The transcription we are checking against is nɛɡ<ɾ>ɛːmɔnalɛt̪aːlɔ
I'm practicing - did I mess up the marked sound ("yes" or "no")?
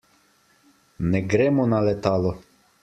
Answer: no